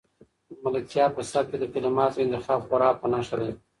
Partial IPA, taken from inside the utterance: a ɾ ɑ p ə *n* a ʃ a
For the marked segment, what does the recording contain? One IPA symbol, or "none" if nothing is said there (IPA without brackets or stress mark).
n